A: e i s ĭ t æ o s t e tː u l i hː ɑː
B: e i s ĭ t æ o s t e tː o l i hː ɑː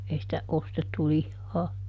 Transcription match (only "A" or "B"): A